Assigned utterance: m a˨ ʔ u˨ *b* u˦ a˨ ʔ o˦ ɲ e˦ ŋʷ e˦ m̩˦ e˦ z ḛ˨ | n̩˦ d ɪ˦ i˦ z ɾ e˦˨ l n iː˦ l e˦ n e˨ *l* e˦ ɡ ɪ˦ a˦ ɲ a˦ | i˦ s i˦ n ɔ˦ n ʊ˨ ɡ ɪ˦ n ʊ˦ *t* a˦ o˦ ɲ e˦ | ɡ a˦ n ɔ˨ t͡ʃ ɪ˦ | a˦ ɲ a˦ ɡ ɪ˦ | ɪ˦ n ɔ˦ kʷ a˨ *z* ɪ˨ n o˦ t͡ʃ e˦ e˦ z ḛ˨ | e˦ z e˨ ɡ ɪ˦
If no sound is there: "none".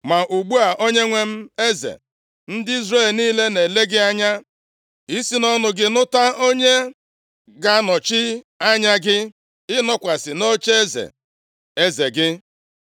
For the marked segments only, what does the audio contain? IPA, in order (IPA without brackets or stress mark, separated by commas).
ɡ͡b, l, t, s